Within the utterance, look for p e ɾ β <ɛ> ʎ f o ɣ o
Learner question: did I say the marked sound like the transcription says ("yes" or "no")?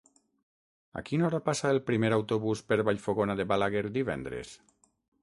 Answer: no